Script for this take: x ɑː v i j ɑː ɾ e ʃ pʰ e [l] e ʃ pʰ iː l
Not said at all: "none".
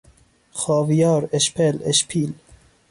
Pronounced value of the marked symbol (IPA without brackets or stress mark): l